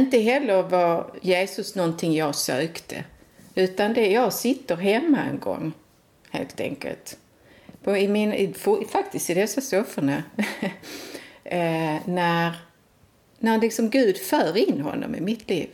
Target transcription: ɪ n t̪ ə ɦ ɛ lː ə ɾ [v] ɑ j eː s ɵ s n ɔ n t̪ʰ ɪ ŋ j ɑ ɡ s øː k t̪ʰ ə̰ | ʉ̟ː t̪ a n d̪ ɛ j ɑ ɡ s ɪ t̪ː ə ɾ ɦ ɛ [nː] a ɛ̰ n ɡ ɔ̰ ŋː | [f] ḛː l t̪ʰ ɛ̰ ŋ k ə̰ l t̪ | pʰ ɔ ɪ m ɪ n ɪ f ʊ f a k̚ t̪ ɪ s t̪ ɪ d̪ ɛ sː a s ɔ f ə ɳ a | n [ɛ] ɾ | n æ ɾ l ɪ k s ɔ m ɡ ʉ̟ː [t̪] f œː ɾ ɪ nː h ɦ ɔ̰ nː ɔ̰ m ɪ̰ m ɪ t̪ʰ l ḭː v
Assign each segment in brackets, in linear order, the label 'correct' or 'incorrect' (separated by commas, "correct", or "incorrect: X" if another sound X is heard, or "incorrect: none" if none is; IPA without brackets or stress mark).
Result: correct, incorrect: mː, incorrect: h, incorrect: æ, incorrect: d̪